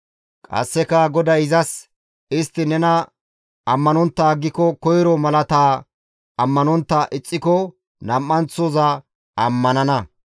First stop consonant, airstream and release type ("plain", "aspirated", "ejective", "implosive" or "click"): ejective